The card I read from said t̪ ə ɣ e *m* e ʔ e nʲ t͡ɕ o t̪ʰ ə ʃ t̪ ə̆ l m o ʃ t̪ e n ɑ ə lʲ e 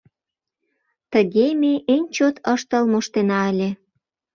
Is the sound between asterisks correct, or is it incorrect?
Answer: correct